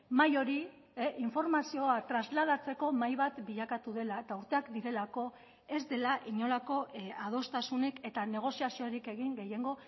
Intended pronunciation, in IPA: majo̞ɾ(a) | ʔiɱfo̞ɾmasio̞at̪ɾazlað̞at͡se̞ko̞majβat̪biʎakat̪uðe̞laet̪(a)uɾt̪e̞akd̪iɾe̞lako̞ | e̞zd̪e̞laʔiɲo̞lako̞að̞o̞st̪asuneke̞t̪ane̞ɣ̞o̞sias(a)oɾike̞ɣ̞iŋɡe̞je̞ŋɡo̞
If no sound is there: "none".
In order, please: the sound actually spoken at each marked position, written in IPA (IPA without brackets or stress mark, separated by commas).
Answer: i, a, i